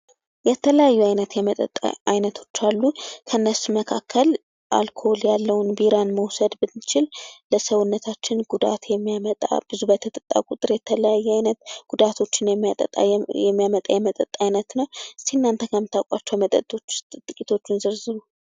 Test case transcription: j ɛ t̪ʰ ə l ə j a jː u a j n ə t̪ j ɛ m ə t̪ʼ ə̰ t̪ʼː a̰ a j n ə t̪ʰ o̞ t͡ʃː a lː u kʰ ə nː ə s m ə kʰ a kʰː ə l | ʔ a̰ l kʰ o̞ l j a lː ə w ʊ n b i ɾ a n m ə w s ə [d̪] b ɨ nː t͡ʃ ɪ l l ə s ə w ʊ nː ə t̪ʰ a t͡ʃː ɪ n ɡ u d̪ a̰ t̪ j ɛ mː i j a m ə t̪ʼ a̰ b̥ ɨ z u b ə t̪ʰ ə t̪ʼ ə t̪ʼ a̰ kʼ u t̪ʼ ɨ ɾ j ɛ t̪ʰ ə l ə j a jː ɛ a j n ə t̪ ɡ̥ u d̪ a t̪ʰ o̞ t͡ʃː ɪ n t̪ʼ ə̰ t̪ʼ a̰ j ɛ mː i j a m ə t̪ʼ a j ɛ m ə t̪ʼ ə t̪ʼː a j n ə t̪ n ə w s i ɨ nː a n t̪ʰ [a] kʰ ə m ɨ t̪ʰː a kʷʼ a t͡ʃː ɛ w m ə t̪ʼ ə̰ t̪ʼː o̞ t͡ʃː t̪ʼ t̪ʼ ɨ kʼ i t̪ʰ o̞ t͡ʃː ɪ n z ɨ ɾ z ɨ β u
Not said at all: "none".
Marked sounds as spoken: d̪, ə

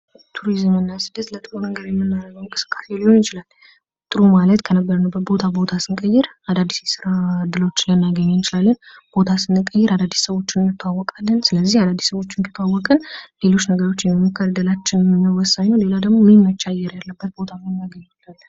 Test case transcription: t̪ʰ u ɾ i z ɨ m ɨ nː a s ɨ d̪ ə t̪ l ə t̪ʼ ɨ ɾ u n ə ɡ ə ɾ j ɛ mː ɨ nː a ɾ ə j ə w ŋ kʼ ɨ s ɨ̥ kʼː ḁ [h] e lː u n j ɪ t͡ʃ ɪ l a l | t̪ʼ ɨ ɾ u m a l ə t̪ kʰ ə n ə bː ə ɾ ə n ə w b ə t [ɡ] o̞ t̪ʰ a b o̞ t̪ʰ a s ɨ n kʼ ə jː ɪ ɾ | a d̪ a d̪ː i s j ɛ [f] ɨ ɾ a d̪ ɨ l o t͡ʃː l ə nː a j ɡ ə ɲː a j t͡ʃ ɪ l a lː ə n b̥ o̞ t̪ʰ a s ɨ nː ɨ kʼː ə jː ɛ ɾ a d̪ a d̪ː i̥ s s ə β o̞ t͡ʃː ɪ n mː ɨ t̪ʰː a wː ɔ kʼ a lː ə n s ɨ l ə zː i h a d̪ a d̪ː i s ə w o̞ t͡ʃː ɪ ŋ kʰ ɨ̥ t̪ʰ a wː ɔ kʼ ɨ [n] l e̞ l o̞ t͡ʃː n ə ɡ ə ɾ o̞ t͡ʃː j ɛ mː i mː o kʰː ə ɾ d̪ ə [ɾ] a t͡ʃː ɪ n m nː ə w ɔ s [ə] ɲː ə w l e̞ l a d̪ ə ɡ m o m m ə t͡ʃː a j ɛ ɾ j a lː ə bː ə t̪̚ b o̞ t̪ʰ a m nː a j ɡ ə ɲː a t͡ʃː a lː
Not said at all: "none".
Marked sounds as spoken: s, b, s, n, l, a

